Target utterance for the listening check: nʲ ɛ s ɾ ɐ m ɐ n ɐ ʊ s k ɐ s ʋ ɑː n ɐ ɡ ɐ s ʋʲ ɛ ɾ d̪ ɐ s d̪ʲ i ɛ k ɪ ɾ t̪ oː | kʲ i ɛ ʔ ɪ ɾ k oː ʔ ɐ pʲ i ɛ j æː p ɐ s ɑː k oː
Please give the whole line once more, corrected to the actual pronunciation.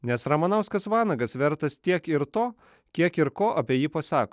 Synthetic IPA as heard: nʲ ɛ s ɾ ɐ m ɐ n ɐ ʊ s k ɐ s ʋ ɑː n ɐ ɡ ɐ s ʋʲ ɛ ɾ t̪ ɐ s t̪ʲ i ɛ k ɪ ɾ t̪ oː | kʲ i ɛ k ɪ ɾ k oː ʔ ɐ pʲ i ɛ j iː p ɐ s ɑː k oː